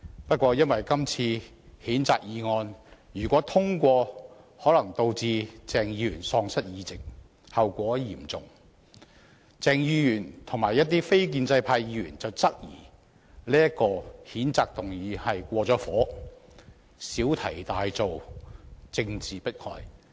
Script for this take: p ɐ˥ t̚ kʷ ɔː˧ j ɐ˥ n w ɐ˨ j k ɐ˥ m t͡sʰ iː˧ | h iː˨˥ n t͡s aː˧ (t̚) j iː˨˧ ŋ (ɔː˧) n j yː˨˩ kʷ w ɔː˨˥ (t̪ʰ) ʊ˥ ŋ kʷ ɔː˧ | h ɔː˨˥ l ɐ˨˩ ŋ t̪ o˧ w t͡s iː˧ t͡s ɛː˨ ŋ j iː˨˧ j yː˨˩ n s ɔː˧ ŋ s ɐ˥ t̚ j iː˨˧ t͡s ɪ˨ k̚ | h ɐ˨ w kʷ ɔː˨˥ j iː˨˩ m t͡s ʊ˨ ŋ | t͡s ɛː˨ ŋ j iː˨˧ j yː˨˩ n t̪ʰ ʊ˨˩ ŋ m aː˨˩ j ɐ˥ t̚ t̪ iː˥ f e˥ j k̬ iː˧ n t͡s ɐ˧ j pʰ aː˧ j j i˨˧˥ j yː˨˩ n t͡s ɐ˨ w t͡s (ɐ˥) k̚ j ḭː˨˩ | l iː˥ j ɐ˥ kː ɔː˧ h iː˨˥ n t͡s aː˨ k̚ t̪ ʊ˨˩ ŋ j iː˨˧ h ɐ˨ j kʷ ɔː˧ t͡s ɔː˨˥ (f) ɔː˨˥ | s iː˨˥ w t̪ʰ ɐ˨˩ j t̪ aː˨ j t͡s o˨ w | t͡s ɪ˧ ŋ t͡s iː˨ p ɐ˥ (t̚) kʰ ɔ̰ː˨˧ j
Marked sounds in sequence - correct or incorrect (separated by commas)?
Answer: incorrect, correct, correct, correct, correct, correct